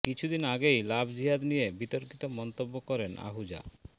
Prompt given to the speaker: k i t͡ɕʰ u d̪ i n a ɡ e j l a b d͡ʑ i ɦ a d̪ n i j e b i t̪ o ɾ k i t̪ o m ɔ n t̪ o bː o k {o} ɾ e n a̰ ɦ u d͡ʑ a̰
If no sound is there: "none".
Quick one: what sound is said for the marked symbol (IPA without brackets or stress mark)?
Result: ɔ